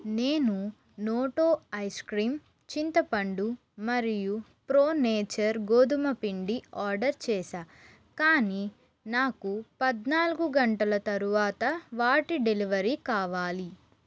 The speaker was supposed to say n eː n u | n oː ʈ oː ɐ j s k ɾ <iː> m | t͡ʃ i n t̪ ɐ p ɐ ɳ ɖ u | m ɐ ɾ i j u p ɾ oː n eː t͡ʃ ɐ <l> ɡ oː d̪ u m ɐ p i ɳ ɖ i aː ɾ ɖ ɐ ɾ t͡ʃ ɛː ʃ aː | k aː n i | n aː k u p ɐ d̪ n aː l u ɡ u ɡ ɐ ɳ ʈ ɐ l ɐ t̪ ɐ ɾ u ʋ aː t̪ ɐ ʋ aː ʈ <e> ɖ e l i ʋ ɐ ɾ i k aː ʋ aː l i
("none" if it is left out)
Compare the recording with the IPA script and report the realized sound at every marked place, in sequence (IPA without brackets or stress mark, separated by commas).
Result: iː, ɾ, i